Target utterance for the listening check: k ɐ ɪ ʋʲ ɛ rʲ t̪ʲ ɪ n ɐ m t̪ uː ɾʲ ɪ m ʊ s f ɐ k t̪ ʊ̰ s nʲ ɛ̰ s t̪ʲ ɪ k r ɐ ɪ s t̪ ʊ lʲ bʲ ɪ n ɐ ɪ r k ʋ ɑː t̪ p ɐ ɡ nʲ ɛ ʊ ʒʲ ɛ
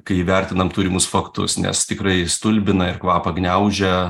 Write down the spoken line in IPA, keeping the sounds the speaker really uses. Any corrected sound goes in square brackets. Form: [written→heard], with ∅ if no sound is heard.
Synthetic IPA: k ɐ ɪ ʋʲ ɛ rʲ t̪ʲ ɪ n ɐ m t̪ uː ɾʲ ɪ m ʊ s f ɐ k t̪ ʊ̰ s nʲ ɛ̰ s t̪ʲ ɪ k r ɐ ɪ s t̪ ʊ lʲ bʲ ɪ n ɐ ɪ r k ʋ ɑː [t̪→∅] p ɐ ɡ nʲ ɛ ʊ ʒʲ ɛ